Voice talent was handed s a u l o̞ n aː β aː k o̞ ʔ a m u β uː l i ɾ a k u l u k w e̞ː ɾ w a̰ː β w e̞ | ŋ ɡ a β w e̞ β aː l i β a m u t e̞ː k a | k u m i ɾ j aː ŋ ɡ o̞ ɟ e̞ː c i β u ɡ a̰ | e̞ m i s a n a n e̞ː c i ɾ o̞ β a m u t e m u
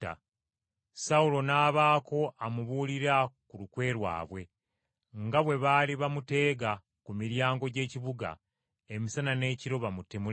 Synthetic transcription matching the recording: s a u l o̞ n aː β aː k o̞ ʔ a m u β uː l i ɾ a k u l u k w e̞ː ɾ w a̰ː β w e̞ | ŋ ɡ a β w e̞ β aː l i β a m u t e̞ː ɡ a | k u m i ɾ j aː ŋ ɡ o̞ ɟ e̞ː c i β u ɡ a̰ | e̞ m i s a n a n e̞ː c i ɾ o̞ β a m u t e m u